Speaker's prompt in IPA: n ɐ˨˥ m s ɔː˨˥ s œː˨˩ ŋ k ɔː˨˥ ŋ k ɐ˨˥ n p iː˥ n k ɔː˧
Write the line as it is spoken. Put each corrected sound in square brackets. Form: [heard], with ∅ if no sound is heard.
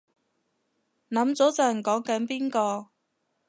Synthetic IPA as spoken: n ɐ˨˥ m [t͡s] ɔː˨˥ [t͡s] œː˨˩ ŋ k ɔː˨˥ ŋ k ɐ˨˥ n p iː˥ n k ɔː˧